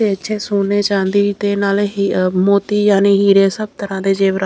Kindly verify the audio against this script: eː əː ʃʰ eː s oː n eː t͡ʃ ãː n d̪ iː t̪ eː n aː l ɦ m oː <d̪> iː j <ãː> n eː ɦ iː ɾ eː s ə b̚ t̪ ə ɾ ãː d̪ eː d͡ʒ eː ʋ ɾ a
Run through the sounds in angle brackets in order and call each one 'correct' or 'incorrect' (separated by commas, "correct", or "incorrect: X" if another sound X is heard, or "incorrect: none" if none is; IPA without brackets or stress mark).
incorrect: t̪, incorrect: aː